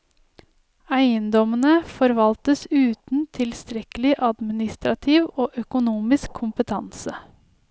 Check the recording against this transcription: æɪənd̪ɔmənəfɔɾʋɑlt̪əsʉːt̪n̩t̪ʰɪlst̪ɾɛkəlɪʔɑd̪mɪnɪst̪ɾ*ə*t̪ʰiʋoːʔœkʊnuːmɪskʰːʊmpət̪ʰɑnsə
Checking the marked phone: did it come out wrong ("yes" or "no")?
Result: yes